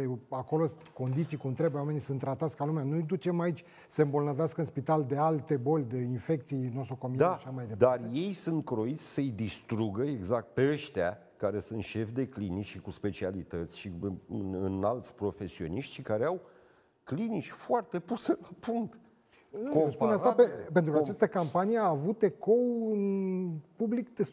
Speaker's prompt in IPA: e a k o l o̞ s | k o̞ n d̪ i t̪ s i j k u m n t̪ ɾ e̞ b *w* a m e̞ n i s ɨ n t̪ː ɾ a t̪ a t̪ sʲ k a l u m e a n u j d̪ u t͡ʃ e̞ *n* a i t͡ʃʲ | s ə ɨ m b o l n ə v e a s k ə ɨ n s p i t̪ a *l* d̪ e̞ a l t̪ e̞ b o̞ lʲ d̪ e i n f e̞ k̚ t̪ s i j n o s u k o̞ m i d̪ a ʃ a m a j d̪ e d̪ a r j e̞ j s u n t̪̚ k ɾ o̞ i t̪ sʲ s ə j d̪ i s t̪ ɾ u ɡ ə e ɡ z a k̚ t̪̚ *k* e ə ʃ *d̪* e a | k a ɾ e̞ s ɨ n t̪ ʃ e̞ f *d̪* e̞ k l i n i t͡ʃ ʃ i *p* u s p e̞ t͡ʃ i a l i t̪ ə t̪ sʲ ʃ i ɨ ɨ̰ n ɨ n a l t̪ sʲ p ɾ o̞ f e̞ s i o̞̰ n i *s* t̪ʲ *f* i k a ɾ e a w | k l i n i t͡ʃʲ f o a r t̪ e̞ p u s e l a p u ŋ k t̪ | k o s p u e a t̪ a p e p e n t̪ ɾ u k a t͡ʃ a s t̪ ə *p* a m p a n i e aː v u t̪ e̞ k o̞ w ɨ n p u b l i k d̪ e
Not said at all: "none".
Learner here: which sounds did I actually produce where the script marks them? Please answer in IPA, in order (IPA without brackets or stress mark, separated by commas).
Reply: w, m, l, p, t̪, d̪, k, ʃ, ʃ, k